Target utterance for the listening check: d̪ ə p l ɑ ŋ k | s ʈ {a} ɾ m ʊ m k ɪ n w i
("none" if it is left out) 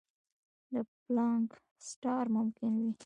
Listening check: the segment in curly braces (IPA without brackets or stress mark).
ɑ